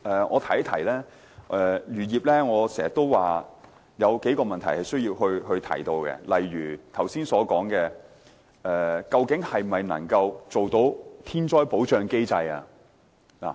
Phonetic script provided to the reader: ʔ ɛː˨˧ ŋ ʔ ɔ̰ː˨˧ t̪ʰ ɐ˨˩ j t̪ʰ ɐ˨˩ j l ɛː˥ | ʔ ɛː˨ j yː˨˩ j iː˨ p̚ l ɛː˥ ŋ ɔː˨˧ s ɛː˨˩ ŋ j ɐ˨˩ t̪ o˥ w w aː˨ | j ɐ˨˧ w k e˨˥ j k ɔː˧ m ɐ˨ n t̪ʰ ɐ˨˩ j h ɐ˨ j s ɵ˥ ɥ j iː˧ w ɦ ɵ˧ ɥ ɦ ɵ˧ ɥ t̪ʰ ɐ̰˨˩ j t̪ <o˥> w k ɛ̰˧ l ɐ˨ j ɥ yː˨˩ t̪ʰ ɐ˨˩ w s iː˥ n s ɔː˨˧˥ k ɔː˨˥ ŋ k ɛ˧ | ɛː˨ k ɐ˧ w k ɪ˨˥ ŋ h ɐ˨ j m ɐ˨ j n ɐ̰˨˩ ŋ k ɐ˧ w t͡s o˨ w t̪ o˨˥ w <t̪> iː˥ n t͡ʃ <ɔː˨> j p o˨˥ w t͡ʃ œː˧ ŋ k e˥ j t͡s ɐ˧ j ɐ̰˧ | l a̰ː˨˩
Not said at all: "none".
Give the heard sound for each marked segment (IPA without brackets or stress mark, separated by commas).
o˧, t̪ʰ, ɔː˥